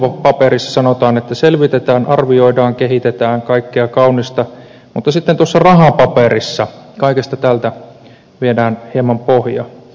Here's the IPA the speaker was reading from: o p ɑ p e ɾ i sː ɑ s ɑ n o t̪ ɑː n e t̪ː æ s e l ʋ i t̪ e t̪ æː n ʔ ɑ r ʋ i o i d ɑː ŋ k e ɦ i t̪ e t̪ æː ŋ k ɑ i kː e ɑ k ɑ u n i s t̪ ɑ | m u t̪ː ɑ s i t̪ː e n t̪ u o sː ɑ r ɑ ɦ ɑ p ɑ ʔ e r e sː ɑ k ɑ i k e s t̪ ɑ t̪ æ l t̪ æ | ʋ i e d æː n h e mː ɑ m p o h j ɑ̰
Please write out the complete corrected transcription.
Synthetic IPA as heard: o p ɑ p e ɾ i sː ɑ s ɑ n o t̪ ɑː n e t̪ː æ s e l ʋ i t̪ e t̪ æː n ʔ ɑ r ʋ i o i d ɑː ŋ k e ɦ i t̪ e t̪ æː ŋ k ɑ i kː e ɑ k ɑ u n i s t̪ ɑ | m u t̪ː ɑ s i t̪ː e n t̪ u o sː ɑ r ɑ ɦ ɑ p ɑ p e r i sː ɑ k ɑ i k e s t̪ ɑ t̪ æ l t̪ æ | ʋ i e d æː n h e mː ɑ m p o h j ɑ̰